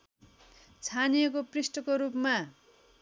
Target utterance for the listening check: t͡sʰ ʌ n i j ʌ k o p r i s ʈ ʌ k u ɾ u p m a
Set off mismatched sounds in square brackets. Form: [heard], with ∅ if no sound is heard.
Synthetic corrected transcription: t͡sʰ [a] n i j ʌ k o p r i s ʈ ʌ k [o] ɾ u p m a